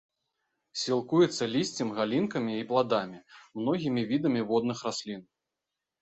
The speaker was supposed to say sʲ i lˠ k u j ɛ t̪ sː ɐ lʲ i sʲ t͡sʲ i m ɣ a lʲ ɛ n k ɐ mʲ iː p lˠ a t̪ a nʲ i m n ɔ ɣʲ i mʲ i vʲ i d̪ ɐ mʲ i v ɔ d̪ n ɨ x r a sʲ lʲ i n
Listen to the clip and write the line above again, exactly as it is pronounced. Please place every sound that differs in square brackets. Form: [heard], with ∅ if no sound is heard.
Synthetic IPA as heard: sʲ i lˠ k u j ɛ t̪ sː ɐ lʲ i sʲ t͡sʲ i m ɣ a lʲ [i] n k ɐ mʲ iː p lˠ a [d̪] a [mʲ] i m n ɔ ɣʲ i mʲ i vʲ i d̪ ɐ mʲ i v ɔ d̪ n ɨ x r a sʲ lʲ i n